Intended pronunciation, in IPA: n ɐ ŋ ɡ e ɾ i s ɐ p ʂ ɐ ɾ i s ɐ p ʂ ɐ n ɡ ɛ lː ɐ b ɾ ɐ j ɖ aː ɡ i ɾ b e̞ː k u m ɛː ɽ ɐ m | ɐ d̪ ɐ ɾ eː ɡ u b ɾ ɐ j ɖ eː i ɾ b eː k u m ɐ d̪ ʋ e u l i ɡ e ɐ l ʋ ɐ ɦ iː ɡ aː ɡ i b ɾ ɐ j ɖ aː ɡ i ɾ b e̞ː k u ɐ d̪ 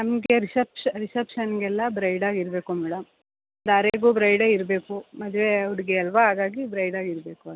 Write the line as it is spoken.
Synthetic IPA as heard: n ɐ m ɡ e ɾ i s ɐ p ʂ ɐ ɾ i s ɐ p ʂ ɐ n ɡ ɛ lː ɐ b ɾ ɐ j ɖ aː ɡ i ɾ b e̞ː k u m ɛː ɽ ɐ m | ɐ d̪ ɐ ɾ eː ɡ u b ɾ ɐ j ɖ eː i ɾ b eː k u m ɐ d̪ ʋ e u ɽ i ɡ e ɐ l ʋ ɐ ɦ aː ɡ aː ɡ i b ɾ ɐ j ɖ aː ɡ i ɾ b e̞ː k u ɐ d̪